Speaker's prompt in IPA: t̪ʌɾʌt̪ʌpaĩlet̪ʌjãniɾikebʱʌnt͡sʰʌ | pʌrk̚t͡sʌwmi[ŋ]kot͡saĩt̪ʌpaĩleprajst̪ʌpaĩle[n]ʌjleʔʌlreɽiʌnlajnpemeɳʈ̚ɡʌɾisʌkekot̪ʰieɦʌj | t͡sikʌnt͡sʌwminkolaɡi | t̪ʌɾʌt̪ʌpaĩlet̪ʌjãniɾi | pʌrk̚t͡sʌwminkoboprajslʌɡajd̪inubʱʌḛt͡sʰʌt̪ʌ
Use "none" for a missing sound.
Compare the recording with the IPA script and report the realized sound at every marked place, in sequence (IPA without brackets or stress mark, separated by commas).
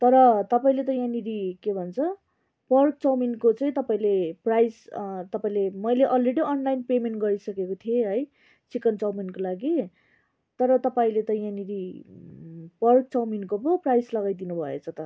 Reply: n, m